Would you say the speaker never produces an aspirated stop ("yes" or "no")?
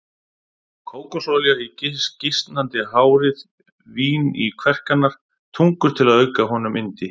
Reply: no